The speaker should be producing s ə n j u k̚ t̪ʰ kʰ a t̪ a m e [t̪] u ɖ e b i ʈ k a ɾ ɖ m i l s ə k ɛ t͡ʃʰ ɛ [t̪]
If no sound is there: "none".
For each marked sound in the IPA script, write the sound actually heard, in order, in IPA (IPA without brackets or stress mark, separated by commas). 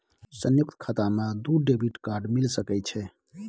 d̪, none